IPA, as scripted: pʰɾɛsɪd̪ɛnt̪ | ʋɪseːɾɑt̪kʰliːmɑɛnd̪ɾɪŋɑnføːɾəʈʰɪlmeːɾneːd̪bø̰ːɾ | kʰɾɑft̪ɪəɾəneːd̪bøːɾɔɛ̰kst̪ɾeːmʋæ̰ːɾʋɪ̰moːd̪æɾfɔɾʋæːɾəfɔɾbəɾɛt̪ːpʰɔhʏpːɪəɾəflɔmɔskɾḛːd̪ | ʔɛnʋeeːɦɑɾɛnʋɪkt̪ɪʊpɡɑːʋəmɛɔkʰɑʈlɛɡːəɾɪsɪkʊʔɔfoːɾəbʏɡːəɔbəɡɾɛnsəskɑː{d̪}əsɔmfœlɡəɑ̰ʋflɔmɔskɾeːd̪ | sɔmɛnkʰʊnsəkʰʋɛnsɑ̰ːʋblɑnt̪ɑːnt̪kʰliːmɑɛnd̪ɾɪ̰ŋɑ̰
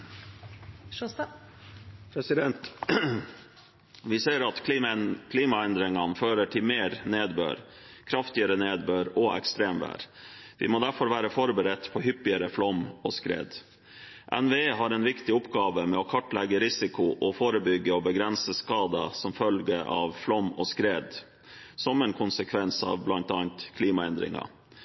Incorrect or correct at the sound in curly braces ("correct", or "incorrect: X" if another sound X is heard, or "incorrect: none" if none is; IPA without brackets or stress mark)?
correct